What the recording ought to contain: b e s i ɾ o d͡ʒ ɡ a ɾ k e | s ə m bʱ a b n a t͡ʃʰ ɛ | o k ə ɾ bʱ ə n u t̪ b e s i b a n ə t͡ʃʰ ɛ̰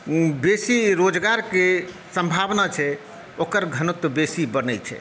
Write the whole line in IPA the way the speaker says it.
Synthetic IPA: b e s i ɾ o d͡ʒ ɡ a ɾ k e | s ə m bʱ a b n a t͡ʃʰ ɛ | o k ə ɾ ɡʱ ə n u t̪ b e s i b ə n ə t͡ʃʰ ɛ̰